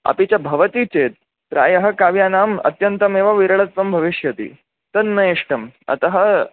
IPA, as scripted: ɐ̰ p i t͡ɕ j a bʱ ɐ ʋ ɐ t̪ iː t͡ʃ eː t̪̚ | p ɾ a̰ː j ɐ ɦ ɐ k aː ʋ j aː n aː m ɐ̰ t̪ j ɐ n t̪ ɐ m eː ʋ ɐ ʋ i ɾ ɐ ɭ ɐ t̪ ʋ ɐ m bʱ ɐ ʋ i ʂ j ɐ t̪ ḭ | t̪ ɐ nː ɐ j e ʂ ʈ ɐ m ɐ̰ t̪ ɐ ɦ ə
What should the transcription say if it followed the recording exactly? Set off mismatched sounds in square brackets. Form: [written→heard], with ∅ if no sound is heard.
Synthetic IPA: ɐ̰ p i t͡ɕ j a bʱ ɐ ʋ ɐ t̪ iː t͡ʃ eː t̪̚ | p ɾ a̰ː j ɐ ɦ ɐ k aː ʋ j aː n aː m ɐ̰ t̪ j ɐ n t̪ ɐ m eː ʋ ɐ ʋ i ɾ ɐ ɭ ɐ t̪ ʋ ɐ m bʱ ɐ ʋ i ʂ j ɐ t̪ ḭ | t̪ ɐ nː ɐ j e ʂ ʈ ɐ m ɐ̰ t̪ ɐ ɦ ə